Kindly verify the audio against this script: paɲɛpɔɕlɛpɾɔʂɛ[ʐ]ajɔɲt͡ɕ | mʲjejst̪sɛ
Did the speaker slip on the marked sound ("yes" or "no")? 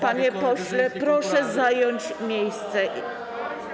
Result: yes